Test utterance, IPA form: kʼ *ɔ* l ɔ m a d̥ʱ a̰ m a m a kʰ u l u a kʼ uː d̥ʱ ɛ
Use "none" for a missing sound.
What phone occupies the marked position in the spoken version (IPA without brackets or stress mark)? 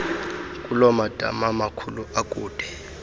u